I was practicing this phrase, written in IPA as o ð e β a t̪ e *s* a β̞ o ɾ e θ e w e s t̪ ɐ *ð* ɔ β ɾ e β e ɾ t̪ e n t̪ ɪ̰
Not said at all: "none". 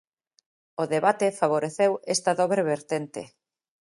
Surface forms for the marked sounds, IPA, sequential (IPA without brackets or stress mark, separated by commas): f, ð